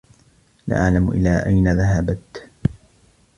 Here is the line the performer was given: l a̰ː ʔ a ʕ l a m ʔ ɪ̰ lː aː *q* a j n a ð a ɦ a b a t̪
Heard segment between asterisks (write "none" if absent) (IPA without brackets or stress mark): ʔ